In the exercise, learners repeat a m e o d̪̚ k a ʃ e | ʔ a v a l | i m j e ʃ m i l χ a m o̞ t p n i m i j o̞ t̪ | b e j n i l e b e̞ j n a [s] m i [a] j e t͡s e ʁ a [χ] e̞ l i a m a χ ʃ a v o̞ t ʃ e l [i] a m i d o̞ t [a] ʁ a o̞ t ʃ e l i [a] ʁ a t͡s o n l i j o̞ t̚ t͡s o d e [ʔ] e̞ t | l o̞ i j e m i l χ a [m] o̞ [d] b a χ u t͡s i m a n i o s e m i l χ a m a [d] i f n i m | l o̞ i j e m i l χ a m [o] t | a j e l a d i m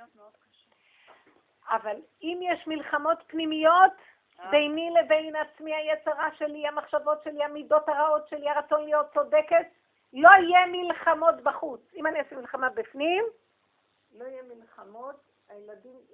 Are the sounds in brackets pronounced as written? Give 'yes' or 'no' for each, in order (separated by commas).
no, yes, no, yes, yes, yes, no, yes, no, no, yes